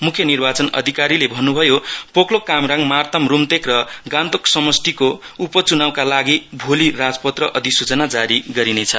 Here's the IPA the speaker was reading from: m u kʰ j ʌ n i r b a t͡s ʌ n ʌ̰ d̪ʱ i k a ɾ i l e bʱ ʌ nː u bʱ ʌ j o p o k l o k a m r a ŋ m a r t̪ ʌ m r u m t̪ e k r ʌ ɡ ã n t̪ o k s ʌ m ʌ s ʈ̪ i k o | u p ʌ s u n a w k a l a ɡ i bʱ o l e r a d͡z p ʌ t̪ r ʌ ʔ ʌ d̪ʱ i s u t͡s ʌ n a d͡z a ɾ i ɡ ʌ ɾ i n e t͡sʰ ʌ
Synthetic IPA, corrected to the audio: m u kʰ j ʌ n i r b a t͡s ʌ n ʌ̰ d̪ʱ i k a ɾ i l e bʱ ʌ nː u bʱ ʌ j o p o k l o k a m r a ŋ m a r t̪ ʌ m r u m t̪ e k r ʌ ɡ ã n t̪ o k s ʌ m ʌ s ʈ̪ i k o | u p ʌ t͡s u n a w k a l a ɡ i bʱ o l i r a d͡z p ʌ t̪ r ʌ ʔ ʌ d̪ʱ i s u t͡s ʌ n a d͡z a ɾ i ɡ ʌ ɾ i n e t͡sʰ ʌ